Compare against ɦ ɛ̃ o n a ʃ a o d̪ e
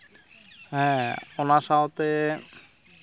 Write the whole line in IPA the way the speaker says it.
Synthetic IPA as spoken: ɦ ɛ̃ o n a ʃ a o t̪ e